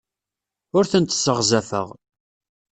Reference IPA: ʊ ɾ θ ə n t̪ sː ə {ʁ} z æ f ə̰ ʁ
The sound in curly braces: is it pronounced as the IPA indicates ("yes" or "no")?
yes